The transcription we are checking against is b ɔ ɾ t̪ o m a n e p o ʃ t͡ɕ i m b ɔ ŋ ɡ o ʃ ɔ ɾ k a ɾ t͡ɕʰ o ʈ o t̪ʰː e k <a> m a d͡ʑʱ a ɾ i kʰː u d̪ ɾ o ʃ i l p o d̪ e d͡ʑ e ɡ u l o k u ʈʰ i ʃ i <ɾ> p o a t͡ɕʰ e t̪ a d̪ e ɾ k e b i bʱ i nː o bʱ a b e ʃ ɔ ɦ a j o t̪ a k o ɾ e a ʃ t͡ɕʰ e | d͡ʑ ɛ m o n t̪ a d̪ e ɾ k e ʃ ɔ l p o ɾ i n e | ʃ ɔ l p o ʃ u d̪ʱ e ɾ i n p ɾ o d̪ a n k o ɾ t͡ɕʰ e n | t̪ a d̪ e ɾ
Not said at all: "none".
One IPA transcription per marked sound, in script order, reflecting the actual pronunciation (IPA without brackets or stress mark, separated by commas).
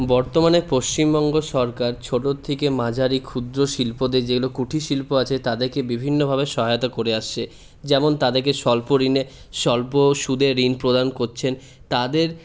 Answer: e, l